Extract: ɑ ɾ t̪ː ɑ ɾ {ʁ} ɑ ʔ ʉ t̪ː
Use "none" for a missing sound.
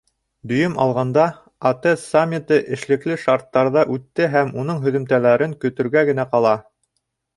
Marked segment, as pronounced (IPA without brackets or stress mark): ð